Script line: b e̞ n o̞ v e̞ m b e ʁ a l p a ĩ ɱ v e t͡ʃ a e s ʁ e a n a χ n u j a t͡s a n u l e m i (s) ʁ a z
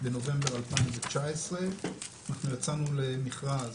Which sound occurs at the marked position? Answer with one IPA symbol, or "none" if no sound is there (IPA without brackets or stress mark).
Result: χ